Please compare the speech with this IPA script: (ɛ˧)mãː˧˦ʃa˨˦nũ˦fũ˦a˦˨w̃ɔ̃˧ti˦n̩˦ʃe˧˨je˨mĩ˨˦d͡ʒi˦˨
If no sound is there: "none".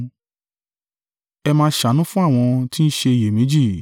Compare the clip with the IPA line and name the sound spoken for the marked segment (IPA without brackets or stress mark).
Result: ɛ˧